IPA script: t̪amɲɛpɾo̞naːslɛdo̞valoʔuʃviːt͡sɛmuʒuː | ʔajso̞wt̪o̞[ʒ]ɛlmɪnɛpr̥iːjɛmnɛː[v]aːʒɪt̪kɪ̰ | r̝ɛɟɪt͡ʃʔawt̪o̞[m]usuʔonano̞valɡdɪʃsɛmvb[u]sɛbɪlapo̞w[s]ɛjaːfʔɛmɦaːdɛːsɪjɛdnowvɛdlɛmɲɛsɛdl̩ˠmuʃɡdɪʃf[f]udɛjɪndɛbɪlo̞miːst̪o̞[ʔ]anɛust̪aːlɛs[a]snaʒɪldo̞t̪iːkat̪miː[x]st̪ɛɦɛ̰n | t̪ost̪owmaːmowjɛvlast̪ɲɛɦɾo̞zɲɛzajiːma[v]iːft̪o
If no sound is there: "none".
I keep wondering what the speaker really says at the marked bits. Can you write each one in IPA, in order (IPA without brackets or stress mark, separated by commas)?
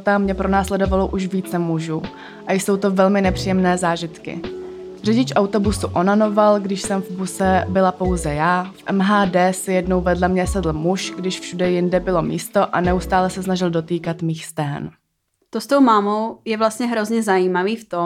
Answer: v, z, b, u, z, ʃ, ʔ, ɛ, x, v